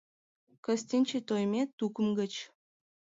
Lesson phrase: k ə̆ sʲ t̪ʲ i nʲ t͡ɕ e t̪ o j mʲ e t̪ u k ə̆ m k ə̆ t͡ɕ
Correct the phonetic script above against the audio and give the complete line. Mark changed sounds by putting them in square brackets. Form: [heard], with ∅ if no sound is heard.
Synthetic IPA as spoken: k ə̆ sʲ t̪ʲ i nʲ t͡ɕ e t̪ o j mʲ e t̪ u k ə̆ m [ɡ] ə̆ t͡ɕ